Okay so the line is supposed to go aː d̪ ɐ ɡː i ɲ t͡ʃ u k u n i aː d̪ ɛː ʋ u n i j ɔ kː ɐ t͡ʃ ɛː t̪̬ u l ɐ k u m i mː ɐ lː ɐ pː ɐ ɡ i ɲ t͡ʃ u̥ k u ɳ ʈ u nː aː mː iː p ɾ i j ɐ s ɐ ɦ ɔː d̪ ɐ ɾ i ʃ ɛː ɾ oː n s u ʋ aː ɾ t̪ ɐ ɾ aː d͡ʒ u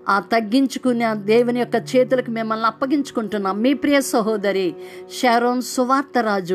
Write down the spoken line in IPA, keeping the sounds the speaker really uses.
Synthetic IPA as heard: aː t̪ ɐ ɡː i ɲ t͡ʃ u k u n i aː d̪ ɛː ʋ u n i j ɔ kː ɐ t͡ʃ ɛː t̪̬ u l ɐ k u m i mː ɐ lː ɐ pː ɐ ɡ i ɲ t͡ʃ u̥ k u ɳ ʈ u nː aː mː iː p ɾ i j ɐ s ɐ ɦ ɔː d̪ ɐ ɾ i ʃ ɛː ɾ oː n s u ʋ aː ɾ t̪ ɐ ɾ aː d͡ʒ u